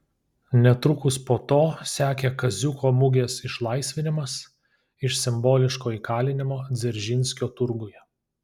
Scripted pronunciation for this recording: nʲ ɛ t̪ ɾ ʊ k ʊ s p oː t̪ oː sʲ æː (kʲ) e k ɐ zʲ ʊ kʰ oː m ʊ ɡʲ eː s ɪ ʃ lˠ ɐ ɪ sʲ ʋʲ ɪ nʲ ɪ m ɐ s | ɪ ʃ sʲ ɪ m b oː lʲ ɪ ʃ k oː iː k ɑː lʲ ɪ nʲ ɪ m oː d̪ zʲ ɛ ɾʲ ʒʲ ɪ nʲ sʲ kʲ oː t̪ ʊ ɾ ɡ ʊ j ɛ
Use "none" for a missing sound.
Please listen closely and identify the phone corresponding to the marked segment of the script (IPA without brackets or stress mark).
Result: kʲ